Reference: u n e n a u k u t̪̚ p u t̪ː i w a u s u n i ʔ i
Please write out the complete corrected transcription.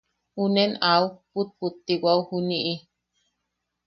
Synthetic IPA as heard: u n e n a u p u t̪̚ p u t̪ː i w a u h u n i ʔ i